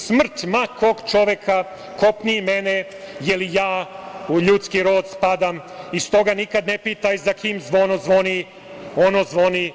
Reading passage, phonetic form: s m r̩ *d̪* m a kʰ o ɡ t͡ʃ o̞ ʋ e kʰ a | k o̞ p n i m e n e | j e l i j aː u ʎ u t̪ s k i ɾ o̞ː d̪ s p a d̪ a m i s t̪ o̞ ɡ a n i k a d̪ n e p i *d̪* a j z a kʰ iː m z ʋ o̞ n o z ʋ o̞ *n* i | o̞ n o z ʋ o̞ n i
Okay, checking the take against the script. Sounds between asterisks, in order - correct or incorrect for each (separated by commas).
incorrect, incorrect, correct